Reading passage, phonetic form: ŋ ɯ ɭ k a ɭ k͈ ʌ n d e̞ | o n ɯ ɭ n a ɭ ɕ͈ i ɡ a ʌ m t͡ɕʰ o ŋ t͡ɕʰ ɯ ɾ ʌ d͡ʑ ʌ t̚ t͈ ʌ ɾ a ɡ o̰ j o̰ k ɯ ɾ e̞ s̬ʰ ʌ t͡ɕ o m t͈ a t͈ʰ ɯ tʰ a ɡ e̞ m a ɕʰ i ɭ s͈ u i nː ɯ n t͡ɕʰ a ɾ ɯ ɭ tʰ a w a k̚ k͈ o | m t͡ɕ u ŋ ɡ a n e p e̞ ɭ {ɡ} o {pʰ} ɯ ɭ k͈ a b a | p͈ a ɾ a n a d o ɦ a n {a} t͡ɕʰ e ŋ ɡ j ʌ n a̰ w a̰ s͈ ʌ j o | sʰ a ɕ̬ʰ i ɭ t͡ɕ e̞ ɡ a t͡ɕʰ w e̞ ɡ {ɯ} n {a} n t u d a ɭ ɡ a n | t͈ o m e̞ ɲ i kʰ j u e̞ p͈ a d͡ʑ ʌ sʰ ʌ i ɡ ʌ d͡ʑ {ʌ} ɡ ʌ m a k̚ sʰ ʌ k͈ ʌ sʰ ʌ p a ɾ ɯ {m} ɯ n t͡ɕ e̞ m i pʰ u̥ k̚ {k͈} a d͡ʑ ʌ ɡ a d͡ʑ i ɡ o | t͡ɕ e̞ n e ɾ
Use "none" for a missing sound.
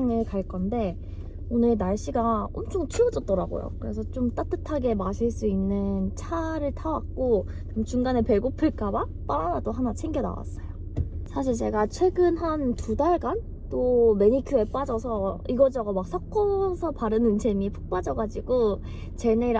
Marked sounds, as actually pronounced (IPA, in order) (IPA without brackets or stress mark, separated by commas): ɡ, pʰ, a, ɯ, a, ʌ, n, p͈